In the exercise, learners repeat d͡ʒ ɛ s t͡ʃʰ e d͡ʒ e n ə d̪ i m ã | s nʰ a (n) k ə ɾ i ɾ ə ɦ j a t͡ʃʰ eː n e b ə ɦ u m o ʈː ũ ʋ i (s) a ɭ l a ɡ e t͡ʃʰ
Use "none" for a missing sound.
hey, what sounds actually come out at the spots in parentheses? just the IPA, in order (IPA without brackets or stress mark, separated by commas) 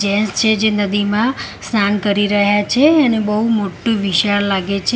n, ʃ